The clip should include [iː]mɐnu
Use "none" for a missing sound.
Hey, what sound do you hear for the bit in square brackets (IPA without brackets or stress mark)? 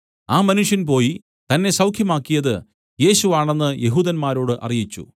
aː